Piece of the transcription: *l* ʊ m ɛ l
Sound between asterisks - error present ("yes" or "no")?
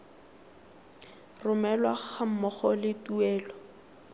yes